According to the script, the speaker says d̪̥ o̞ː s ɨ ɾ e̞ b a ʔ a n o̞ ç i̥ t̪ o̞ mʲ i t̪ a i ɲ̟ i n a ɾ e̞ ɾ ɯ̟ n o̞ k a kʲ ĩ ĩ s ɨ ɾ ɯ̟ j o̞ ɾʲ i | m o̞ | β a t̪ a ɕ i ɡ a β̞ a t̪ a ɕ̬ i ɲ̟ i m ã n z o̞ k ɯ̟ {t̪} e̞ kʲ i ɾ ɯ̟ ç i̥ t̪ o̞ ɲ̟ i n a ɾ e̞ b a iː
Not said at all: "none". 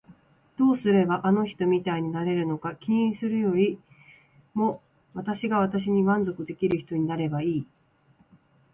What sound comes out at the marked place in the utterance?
d̪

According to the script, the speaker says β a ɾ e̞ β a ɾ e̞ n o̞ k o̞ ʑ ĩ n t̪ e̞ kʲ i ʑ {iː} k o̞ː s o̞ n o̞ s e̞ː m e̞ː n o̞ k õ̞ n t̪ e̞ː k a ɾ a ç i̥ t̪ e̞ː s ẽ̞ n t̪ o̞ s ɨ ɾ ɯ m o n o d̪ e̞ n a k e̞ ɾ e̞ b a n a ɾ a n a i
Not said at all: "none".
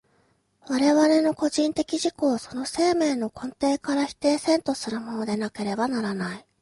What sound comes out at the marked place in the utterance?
i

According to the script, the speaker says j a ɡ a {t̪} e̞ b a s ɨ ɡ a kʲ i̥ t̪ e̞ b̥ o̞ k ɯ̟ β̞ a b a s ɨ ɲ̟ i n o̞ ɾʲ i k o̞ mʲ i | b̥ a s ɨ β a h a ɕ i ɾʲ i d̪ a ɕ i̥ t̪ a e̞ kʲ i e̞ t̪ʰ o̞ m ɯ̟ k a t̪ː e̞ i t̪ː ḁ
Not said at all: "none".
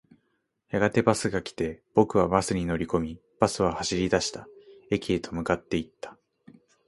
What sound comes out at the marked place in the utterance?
t̪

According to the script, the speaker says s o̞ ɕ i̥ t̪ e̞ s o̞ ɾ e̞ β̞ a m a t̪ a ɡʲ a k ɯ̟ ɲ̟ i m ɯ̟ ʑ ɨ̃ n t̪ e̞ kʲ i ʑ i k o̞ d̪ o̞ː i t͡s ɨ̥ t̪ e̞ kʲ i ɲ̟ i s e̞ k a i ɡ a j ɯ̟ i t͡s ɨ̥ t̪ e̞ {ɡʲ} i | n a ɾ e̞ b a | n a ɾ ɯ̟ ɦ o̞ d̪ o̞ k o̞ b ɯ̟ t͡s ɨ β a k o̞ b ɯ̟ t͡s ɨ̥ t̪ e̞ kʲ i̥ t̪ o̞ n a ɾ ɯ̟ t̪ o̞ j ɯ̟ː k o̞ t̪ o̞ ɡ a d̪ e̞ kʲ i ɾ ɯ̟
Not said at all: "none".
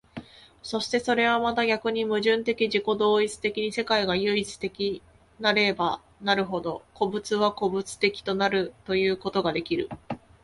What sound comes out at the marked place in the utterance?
kʲ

